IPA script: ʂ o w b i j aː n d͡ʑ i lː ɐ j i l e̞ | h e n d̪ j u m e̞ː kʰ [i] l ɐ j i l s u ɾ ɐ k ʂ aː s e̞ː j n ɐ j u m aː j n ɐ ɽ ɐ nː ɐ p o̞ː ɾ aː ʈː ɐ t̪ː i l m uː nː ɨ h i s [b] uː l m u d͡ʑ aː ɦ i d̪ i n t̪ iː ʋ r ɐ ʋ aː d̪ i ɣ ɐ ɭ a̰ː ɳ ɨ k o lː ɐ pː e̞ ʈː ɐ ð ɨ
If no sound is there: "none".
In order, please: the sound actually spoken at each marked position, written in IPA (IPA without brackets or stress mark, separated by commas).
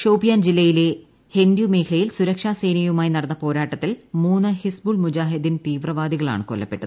i, b